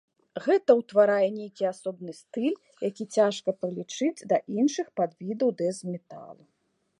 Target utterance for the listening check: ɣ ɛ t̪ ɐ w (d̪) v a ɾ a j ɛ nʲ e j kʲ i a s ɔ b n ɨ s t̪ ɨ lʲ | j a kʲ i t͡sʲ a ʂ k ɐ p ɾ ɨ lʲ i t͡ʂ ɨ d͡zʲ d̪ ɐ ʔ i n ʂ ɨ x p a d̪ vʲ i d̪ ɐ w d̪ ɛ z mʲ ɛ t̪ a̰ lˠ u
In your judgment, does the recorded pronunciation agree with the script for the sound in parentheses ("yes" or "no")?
no